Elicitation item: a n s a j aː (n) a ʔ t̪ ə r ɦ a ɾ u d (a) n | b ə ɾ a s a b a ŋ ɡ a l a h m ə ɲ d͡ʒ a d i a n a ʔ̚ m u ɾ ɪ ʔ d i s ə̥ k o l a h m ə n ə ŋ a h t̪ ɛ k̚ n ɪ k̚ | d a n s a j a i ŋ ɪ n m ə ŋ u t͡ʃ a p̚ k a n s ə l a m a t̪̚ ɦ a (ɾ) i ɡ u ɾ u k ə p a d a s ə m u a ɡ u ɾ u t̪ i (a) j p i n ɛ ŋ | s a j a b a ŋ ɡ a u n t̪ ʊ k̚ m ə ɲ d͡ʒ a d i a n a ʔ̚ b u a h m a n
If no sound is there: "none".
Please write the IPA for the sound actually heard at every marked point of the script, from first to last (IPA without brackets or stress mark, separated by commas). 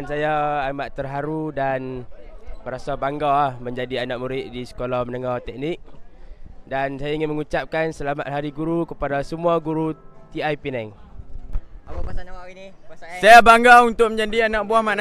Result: m, a, ɾ, a